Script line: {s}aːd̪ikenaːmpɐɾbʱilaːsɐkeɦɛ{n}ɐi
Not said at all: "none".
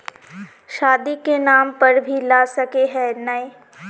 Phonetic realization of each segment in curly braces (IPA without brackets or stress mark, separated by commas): ʃ, n